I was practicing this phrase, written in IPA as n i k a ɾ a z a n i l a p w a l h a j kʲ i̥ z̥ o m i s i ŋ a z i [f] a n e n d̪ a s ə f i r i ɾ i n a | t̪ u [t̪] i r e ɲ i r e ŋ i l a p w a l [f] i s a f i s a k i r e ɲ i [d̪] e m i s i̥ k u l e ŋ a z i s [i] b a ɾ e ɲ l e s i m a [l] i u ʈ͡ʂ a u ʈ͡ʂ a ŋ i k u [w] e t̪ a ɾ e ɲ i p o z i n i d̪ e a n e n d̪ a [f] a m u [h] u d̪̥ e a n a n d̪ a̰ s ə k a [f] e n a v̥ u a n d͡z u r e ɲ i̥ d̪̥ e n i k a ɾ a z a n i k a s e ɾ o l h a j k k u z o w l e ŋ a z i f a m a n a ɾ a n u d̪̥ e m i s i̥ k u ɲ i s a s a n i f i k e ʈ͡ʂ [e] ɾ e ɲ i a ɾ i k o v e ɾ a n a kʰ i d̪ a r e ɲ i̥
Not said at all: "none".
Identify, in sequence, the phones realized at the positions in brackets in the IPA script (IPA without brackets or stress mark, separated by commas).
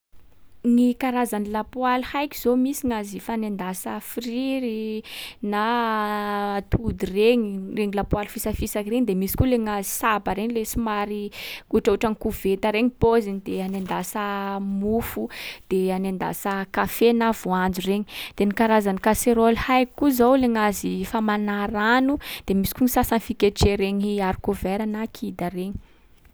f, d̪, f, d̪, a, ɾ, v, s, f, f, e